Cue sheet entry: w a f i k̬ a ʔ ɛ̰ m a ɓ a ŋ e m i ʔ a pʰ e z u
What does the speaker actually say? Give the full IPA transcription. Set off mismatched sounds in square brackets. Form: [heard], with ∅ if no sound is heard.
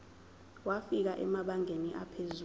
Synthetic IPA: w a f i k̬ a ʔ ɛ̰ m a ɓ a ŋ e [n] i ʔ a pʰ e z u